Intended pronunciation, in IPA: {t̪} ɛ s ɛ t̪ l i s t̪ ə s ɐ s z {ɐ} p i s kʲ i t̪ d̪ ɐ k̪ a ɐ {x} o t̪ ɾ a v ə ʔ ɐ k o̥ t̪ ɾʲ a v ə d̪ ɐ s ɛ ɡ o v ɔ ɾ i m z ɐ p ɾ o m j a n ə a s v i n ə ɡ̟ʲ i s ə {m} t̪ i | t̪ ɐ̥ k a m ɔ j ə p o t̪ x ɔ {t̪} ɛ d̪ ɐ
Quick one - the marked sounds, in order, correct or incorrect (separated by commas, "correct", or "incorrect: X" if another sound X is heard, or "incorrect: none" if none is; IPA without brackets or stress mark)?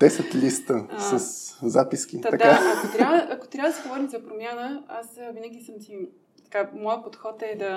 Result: incorrect: d̪, incorrect: a, incorrect: k, correct, correct